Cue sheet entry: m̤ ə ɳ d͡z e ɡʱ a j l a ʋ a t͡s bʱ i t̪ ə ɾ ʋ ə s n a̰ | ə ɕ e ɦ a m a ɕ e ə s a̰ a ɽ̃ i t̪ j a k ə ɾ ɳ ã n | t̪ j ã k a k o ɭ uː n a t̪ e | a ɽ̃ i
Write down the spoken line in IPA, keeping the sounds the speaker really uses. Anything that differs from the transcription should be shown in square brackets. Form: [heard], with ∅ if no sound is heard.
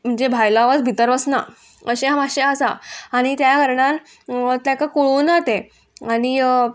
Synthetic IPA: m̤ ə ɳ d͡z e [bʱ] a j l a ʋ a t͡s bʱ i t̪ ə ɾ ʋ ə s n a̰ | ə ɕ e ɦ a m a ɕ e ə s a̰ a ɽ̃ i t̪ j a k ə ɾ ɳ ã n | t̪ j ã k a k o ɭ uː n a t̪ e | a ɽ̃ i